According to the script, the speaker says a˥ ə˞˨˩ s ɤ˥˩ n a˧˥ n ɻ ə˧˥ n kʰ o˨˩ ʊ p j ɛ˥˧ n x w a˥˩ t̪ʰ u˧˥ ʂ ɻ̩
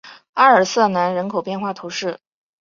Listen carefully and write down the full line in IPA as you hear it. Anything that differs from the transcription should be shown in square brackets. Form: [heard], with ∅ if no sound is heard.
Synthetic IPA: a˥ ə˞˨˩ s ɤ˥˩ n a˧˥ n ɻ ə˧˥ n kʰ o˨˩ ʊ p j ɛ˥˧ n x w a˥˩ t̪ʰ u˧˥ ʂ ɻ̩